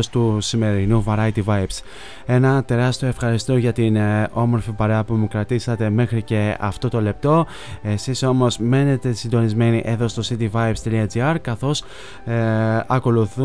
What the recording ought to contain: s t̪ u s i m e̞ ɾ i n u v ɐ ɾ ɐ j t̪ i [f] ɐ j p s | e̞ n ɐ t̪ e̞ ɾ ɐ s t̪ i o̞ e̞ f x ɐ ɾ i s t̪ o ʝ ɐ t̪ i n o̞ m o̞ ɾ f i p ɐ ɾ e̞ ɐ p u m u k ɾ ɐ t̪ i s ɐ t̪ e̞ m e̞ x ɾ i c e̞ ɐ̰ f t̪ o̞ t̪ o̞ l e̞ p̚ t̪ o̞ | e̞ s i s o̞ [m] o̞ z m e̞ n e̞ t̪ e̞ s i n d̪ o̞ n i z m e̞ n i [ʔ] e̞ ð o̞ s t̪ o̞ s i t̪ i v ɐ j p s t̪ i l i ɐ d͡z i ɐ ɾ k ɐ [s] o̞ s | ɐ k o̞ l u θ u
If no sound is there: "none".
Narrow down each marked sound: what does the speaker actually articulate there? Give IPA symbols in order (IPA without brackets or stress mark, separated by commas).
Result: v, m, ʔ, θ